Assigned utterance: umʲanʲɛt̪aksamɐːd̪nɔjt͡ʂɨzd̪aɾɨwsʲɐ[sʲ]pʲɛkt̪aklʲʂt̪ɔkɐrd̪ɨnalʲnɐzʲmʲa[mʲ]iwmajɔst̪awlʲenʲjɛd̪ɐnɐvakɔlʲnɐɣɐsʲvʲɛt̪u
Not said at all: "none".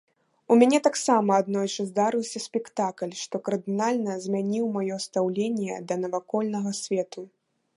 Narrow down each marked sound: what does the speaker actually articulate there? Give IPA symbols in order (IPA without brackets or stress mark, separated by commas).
sʲ, nʲ